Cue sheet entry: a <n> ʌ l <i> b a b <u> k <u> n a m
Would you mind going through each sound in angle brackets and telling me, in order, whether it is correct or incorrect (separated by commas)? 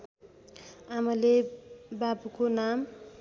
incorrect, incorrect, correct, incorrect